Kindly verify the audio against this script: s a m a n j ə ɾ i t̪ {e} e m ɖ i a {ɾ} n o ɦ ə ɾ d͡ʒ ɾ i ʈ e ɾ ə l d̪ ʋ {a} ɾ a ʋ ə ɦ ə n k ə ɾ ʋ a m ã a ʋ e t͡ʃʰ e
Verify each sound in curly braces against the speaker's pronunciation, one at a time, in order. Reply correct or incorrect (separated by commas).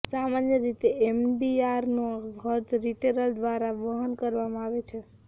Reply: correct, correct, correct